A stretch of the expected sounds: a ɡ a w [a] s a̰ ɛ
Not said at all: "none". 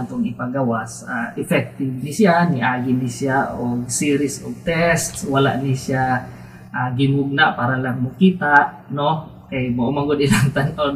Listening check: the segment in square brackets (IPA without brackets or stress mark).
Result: a